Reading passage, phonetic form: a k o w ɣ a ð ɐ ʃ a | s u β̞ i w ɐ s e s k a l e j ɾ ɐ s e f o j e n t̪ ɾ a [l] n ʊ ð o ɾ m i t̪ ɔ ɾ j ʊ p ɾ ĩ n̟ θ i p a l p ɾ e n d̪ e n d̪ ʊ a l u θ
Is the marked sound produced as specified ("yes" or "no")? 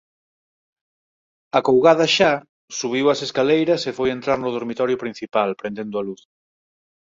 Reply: no